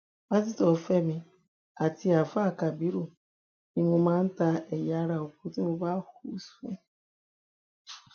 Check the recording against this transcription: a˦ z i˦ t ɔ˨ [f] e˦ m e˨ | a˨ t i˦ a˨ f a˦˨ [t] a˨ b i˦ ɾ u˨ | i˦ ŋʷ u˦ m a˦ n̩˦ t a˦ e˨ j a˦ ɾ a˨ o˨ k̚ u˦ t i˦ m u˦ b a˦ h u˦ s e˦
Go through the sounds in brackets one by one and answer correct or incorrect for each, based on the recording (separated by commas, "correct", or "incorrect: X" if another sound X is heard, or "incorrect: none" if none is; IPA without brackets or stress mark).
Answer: correct, incorrect: k